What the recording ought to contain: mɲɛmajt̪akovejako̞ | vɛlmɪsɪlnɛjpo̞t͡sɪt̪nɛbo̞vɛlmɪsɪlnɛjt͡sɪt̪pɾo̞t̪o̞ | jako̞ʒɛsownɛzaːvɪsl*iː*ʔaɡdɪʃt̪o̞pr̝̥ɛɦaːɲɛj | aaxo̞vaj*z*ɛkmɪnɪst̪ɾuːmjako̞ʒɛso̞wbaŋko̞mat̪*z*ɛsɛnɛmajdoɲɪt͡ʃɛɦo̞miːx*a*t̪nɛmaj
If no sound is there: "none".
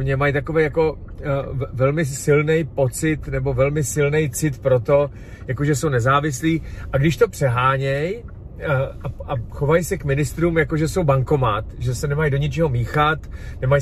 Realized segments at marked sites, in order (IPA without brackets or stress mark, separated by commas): iː, s, ʒ, a